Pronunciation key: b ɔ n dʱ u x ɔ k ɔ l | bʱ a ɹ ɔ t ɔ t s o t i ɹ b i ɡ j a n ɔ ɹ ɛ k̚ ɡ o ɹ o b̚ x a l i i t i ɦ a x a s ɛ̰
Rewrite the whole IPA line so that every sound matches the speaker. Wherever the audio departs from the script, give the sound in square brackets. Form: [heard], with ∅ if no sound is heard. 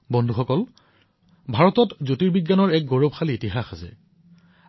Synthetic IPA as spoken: b ɔ n dʱ u x ɔ k ɔ l | bʱ a ɹ ɔ t ɔ t [z] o t i ɹ b i ɡ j a n ɔ ɹ ɛ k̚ ɡ o ɹ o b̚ x a l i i t i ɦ a x a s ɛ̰